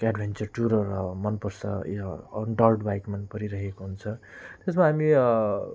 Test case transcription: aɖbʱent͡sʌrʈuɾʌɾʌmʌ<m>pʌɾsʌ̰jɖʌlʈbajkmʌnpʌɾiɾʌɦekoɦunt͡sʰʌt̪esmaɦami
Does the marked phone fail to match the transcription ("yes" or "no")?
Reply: yes